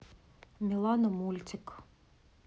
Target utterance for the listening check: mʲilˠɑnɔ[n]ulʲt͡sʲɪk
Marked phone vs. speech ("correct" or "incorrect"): incorrect